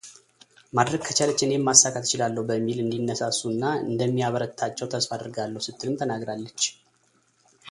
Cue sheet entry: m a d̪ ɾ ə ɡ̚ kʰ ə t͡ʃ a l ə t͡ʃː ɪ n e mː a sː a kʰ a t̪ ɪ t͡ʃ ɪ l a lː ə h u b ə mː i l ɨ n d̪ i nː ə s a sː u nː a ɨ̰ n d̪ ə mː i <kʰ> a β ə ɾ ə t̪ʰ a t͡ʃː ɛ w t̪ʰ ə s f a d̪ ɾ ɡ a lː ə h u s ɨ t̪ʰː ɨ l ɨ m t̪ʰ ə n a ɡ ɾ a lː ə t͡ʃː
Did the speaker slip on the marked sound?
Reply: yes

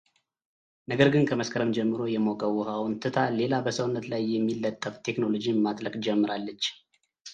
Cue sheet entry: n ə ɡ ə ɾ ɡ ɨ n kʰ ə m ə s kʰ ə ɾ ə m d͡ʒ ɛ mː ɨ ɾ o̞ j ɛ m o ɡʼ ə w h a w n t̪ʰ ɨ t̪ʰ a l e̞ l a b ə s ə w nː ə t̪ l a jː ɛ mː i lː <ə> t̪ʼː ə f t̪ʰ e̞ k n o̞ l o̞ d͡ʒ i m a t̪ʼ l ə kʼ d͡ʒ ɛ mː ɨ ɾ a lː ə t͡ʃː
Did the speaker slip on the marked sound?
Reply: no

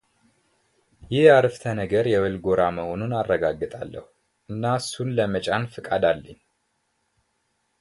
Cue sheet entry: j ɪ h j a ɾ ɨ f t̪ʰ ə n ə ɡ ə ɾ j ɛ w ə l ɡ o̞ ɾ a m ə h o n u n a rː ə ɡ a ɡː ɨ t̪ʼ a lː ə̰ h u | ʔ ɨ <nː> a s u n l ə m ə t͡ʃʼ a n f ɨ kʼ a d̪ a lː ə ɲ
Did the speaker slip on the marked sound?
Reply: no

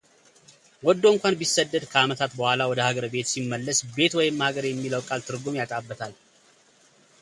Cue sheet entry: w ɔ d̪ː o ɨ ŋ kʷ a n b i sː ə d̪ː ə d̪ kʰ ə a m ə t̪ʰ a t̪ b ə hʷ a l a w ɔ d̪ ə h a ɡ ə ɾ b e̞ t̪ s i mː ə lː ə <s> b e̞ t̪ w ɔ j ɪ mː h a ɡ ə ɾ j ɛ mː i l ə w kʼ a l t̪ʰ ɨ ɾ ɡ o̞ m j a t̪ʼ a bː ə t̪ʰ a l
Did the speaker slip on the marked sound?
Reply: no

